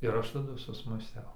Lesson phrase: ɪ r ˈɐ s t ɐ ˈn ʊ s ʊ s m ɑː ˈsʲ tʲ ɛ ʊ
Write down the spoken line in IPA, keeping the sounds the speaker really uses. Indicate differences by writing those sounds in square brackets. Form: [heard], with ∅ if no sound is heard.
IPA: ɪ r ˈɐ [ʃ] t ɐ [ˈd] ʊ s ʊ s m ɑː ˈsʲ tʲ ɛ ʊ

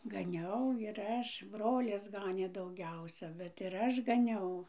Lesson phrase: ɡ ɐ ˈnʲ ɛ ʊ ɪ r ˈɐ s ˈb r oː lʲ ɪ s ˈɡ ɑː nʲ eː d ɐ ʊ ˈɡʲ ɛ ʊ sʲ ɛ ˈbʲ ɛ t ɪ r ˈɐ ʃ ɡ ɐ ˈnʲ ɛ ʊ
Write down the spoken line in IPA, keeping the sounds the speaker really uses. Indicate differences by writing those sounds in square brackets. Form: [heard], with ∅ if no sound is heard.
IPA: ɡ ɐ ˈnʲ ɛ ʊ ɪ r ˈɐ [ʃ] ˈb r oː lʲ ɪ s ˈɡ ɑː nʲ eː d ɐ ʊ ˈɡʲ ɛ ʊ sʲ ɛ ˈbʲ ɛ t ɪ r ˈɐ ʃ ɡ ɐ ˈnʲ ɛ ʊ

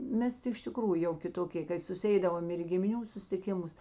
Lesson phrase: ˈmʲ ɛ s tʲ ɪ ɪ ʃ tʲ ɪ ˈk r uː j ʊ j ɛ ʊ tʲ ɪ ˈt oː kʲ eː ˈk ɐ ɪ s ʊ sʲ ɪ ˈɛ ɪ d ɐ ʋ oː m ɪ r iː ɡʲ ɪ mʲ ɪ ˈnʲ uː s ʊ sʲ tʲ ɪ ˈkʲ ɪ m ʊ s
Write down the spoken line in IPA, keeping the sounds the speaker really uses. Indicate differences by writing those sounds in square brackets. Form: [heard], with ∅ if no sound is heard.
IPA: ˈmʲ ɛ s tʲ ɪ ɪ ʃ tʲ ɪ ˈk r uː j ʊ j ɛ ʊ [kʲ] ɪ ˈt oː kʲ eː ˈk ɐ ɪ s ʊ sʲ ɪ ˈɛ ɪ d ɐ ʋ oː m ɪ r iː ɡʲ ɪ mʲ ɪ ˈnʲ uː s ʊ sʲ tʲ ɪ ˈkʲ ɪ m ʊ s

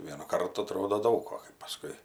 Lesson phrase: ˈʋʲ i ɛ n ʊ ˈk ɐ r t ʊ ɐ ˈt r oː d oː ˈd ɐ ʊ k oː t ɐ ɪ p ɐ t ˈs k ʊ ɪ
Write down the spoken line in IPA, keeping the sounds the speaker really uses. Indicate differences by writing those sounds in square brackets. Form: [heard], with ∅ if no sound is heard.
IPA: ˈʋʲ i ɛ n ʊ ˈk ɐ r t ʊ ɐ ˈt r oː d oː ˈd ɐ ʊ k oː [k] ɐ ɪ p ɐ [∅] ˈs k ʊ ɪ

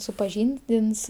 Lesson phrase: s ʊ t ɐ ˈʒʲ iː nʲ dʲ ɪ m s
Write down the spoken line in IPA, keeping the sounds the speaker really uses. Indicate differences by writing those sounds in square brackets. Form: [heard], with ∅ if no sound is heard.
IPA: s ʊ [p] ɐ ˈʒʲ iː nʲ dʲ ɪ [n] s

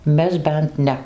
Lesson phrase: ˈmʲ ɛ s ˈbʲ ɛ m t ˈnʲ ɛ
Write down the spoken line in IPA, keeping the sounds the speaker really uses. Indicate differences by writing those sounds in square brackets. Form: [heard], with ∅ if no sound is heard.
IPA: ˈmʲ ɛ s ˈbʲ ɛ [n] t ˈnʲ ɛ

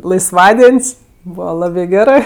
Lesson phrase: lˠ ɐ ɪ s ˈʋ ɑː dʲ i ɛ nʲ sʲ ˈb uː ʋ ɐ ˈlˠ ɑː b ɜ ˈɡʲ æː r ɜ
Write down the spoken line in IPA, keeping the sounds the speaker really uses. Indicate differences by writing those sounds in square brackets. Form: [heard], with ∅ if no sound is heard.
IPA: lˠ ɐ ɪ s ˈʋ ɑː dʲ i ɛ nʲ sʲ ˈb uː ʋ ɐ ˈlˠ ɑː b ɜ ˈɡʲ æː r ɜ

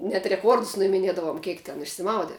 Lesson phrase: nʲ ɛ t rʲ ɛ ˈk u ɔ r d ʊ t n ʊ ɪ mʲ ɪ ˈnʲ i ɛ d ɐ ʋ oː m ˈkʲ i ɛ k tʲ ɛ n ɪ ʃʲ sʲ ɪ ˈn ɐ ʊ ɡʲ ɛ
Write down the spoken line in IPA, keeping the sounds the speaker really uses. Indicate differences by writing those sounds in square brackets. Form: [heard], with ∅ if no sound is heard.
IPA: nʲ ɛ t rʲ ɛ ˈk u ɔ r d ʊ [s] n ʊ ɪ mʲ ɪ ˈnʲ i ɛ d ɐ ʋ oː m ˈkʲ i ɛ k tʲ ɛ n ɪ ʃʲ sʲ ɪ [ˈm] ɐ ʊ [dʲ] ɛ

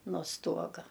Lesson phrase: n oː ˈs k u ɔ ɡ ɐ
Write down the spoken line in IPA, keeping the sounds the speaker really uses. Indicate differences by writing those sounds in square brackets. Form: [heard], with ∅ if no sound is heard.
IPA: n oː ˈs [t] u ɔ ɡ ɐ

